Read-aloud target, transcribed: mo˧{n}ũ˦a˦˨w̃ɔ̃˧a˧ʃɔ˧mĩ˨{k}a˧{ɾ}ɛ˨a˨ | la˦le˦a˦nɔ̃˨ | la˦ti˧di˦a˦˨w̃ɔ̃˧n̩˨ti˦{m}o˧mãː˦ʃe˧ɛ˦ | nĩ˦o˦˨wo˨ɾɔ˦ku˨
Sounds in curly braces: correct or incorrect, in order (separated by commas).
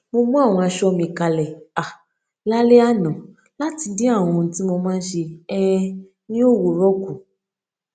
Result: incorrect, correct, incorrect, correct